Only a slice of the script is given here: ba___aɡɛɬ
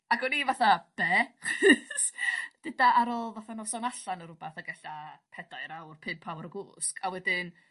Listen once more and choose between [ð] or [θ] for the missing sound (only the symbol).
θ